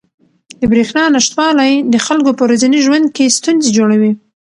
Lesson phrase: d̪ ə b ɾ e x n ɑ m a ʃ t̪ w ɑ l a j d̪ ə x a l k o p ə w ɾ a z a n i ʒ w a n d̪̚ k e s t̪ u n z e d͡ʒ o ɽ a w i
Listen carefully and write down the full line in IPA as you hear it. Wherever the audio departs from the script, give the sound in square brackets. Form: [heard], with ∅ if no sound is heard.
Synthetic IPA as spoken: d̪ ə b ɾ e x n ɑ [n] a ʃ t̪ w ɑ l a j d̪ ə x a l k o p ə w ɾ a z a n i ʒ w a n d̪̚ k e s t̪ u n z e d͡ʒ o ɽ a w i